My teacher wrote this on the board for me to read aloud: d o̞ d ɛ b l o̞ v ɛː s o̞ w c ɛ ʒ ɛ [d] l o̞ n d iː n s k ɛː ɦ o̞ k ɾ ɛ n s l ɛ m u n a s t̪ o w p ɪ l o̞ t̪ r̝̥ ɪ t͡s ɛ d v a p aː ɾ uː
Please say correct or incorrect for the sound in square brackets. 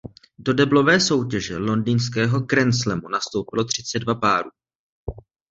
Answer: incorrect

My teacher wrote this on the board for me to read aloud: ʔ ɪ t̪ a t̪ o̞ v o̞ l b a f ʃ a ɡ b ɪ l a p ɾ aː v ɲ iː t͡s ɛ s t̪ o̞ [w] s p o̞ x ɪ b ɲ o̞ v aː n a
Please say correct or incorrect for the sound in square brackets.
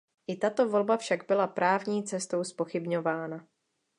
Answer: correct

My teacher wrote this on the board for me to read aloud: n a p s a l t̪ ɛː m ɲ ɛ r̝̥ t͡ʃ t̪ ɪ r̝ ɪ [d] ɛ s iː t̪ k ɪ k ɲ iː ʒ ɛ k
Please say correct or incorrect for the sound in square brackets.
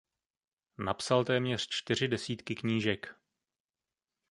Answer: correct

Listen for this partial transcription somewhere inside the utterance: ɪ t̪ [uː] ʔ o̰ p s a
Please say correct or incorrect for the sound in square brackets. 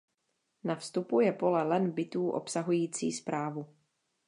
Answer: correct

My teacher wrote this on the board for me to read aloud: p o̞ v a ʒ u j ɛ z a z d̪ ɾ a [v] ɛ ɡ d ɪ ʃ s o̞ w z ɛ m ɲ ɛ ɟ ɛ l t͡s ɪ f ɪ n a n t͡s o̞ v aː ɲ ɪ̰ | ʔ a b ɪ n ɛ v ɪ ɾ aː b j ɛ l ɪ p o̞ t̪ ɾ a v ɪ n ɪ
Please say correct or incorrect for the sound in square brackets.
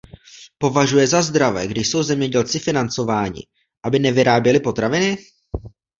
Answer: correct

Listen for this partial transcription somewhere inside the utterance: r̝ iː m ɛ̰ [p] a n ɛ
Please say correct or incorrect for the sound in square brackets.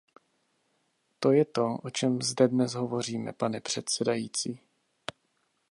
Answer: correct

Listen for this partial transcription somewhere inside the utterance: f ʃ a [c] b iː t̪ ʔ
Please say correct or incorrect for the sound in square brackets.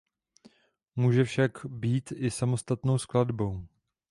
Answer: incorrect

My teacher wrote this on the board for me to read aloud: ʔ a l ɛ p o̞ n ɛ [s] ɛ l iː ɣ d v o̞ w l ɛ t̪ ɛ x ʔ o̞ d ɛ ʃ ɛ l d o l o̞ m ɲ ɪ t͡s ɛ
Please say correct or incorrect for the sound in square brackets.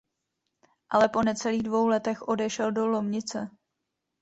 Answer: incorrect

